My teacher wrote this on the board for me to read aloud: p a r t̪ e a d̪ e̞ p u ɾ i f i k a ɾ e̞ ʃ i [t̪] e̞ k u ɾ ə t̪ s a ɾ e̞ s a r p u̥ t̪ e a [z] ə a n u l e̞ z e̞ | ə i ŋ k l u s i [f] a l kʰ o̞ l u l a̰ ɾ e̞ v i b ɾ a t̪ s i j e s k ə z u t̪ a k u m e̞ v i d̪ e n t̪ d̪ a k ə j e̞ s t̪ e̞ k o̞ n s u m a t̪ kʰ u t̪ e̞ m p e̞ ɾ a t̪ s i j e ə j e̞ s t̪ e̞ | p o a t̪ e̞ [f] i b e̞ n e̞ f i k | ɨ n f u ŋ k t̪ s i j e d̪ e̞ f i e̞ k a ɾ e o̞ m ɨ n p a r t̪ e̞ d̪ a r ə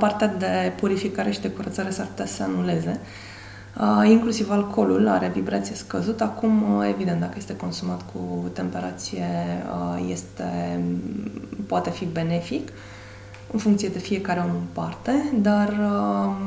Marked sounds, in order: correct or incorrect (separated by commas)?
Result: incorrect, incorrect, incorrect, correct